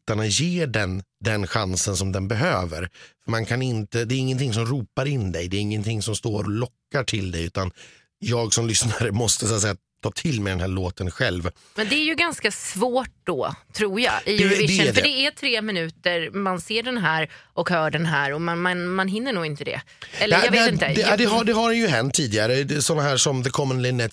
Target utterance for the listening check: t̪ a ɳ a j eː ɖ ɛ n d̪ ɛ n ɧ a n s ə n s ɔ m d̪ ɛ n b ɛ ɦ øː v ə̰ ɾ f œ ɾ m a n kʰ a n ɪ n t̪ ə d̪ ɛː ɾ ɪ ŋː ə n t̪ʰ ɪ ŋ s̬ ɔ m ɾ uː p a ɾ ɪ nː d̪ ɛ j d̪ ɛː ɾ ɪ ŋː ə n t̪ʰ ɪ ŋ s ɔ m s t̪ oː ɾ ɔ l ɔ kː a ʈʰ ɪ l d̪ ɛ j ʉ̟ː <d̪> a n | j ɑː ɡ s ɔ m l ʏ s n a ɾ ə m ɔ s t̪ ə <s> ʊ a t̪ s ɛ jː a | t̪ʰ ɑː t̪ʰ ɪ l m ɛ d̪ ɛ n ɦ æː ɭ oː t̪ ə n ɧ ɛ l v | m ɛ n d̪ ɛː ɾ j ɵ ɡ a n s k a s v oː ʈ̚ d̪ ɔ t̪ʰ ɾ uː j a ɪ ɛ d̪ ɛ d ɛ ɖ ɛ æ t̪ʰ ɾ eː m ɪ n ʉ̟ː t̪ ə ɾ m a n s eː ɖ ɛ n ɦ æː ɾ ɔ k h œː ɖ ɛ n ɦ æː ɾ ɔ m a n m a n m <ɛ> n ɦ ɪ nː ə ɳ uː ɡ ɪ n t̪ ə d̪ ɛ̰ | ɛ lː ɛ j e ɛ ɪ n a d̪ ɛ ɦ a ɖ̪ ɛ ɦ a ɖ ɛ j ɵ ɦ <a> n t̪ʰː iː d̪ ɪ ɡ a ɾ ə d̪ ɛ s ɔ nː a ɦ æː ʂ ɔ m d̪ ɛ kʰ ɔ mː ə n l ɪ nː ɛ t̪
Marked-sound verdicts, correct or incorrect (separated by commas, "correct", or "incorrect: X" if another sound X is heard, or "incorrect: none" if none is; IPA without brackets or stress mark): incorrect: t̪, correct, incorrect: a, incorrect: ɛ